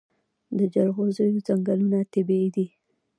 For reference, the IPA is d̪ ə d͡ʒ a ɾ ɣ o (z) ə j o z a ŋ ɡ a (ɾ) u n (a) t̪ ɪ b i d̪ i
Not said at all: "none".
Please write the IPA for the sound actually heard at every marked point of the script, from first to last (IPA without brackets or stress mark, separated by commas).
z, l, a